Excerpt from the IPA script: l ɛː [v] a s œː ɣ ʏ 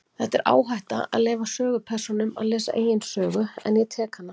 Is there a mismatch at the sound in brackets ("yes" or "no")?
no